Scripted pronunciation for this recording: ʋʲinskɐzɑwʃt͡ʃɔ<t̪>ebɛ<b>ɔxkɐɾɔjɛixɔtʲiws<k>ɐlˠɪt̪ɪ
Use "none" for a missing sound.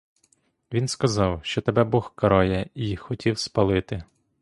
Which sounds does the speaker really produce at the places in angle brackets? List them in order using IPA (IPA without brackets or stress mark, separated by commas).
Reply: t̪, b, p